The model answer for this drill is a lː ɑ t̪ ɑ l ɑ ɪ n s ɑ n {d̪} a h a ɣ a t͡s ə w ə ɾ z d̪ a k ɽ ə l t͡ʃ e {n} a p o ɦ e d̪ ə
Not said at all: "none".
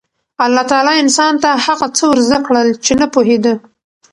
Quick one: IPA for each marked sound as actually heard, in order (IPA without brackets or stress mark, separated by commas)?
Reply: t̪, n